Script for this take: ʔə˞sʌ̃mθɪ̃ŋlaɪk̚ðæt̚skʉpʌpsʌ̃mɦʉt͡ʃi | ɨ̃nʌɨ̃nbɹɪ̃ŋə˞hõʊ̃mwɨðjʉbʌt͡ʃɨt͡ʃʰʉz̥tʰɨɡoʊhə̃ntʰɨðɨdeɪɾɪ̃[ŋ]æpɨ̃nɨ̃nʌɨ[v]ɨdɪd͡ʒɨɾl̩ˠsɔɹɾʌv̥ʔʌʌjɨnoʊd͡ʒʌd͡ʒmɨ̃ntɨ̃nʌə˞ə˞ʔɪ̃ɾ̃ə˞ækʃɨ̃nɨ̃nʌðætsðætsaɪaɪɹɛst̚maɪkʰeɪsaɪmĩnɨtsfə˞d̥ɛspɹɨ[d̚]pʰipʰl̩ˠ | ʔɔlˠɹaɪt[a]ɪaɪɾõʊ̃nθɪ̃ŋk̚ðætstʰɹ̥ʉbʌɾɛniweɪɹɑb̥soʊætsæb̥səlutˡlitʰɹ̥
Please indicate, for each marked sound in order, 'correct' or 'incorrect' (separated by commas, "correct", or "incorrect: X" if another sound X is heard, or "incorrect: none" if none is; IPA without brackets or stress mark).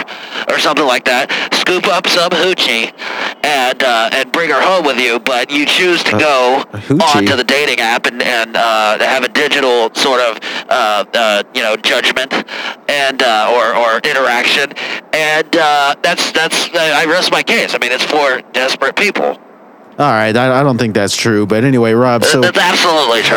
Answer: correct, correct, incorrect: t̚, correct